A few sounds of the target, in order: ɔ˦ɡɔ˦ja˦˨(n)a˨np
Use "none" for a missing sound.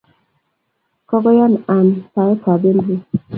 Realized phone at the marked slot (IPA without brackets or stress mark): n